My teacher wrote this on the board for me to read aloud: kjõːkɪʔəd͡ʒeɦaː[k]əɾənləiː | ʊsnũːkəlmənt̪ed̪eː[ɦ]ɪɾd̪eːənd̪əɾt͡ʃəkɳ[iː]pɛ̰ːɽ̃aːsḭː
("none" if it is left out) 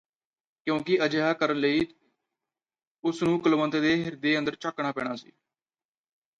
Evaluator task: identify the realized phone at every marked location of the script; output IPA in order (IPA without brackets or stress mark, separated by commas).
k, ɦ, aː